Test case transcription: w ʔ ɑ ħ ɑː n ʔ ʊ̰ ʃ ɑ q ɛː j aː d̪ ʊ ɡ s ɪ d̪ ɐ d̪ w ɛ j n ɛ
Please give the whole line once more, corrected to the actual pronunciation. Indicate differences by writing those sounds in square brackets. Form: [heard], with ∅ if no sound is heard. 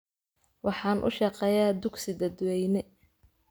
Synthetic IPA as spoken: w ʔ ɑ ħ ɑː n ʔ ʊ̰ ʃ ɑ q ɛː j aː d̪ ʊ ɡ s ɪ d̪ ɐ d̪ w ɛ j n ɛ